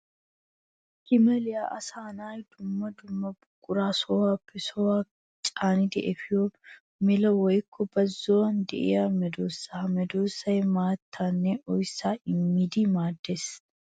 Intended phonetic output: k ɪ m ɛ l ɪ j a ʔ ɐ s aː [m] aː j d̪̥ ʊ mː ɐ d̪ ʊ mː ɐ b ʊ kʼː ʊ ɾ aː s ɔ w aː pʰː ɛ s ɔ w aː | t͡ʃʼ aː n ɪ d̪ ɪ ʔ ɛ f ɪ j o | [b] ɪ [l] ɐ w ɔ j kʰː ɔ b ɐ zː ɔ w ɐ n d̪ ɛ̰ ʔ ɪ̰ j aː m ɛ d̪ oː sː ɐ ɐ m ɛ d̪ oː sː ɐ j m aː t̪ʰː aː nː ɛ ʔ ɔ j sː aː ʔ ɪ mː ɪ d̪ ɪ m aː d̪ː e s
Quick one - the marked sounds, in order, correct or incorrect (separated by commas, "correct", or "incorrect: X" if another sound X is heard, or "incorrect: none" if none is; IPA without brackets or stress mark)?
incorrect: n, incorrect: m, correct